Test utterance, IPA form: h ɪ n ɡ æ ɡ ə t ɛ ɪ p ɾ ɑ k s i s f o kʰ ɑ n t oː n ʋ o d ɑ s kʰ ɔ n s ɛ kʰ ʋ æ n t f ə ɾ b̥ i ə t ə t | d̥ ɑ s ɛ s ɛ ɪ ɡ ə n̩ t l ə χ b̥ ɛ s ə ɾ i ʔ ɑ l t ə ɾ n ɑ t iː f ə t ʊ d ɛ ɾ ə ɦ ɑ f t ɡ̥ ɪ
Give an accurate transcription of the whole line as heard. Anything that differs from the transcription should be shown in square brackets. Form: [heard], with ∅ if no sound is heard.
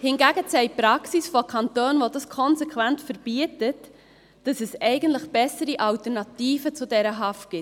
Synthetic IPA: h ɪ n ɡ æ ɡ ə [t͡s] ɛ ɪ p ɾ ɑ k s i s f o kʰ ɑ n t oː n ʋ o d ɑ s kʰ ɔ n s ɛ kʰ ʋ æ n t f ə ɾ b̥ i ə t ə t | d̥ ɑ s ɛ s ɛ ɪ ɡ ə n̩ t l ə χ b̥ ɛ s ə ɾ i ʔ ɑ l t ə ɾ n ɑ t iː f ə [t͡s] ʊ d ɛ ɾ ə ɦ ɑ f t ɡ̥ ɪ

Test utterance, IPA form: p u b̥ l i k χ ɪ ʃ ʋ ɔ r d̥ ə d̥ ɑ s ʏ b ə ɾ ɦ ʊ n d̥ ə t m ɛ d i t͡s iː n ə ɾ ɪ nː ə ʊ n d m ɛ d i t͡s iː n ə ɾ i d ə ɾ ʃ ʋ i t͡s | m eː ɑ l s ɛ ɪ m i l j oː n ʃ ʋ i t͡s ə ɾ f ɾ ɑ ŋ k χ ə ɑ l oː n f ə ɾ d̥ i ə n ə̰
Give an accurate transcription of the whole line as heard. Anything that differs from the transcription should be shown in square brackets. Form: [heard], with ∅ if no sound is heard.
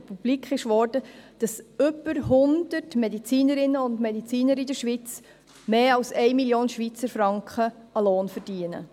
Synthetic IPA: p u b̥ l i k χ ɪ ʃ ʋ ɔ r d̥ ə d̥ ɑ s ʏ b ə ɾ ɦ ʊ n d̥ ə t m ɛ d i t͡s iː n ə ɾ ɪ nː ə ʊ n d m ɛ d i t͡s iː n ə ɾ i d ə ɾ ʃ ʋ i t͡s | m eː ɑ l s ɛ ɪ m i l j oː n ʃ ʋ i t͡s ə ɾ f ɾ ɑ ŋ k χ ə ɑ l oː n f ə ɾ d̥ i ə n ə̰

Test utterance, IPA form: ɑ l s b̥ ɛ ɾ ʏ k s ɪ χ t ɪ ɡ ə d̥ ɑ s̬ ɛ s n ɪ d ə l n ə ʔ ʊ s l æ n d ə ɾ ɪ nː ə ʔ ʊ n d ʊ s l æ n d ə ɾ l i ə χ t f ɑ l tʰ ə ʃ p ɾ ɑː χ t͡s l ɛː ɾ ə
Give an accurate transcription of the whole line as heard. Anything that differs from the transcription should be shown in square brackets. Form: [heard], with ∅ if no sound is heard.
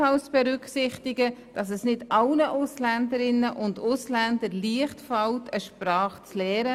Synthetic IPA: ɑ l s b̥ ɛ ɾ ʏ k s ɪ χ t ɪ ɡ ə d̥ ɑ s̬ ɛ s n ɪ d [ɑ] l n ə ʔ ʊ s l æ n d ə ɾ ɪ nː ə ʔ ʊ n d ʊ s l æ n d ə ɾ l i ə χ t f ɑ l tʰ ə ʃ p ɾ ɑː χ t͡s l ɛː ɾ ə

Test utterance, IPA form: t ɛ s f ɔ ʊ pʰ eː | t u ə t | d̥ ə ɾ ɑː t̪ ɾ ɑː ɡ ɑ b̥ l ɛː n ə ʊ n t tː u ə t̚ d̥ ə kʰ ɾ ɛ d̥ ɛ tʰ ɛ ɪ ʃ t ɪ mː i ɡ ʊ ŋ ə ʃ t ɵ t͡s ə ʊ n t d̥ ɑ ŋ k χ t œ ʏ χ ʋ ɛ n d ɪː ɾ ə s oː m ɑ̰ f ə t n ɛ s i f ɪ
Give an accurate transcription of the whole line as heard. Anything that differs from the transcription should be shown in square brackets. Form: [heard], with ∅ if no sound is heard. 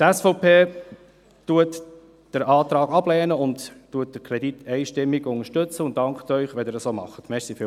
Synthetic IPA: t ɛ s f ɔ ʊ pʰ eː | t u ə t | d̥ ə ɾ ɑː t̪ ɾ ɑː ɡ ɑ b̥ l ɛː n ə ʊ n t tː u ə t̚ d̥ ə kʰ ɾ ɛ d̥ [i] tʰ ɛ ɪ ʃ t ɪ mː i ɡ ʊ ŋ ə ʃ t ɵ t͡s ə ʊ n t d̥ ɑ ŋ k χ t œ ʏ χ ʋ ɛ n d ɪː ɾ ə s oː m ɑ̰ [χ] ə t [m] ɛ s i f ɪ

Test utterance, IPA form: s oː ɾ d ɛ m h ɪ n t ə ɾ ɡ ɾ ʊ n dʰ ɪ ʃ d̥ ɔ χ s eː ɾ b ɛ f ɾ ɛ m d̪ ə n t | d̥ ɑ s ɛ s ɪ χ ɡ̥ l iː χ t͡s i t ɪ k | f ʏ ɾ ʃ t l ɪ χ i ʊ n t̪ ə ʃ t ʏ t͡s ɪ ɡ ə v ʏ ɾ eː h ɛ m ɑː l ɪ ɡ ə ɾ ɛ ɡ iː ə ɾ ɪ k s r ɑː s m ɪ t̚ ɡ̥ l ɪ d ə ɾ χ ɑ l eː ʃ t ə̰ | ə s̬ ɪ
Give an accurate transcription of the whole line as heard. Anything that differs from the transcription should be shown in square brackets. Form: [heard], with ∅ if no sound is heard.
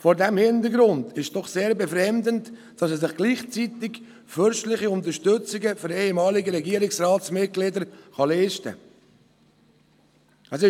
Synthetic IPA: [f] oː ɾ d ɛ m h ɪ n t ə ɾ ɡ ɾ ʊ n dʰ ɪ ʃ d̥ ɔ χ s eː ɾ b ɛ f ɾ ɛ m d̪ ə n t | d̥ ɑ s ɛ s ɪ χ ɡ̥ l iː χ t͡s i t ɪ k | f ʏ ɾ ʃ t l ɪ χ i ʊ n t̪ ə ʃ t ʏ t͡s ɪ ɡ ə [f] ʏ ɾ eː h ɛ m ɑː l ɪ ɡ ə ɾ ɛ ɡ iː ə ɾ ɪ k s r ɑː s m ɪ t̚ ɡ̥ l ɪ d ə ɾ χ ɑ l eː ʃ t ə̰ | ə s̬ ɪ

